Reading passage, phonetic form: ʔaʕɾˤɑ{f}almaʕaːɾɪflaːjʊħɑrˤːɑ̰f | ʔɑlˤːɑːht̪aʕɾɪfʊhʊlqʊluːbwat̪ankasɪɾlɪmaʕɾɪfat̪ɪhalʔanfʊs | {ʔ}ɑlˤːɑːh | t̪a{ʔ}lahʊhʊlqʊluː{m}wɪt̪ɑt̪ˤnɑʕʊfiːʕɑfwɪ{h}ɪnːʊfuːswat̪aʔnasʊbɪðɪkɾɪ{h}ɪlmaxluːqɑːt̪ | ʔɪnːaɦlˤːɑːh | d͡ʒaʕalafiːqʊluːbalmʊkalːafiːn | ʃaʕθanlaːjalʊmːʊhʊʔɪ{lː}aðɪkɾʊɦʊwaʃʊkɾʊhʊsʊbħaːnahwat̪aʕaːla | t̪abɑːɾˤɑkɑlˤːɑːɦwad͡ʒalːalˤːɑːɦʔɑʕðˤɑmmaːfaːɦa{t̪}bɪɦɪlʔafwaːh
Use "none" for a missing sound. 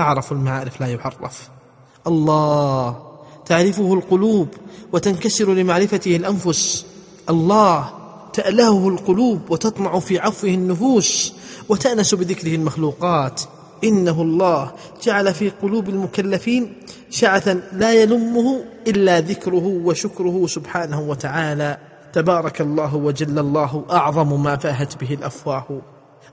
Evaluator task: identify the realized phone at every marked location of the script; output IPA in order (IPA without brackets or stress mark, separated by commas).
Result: f, ʔ, ʔ, b, h, h, lː, t̪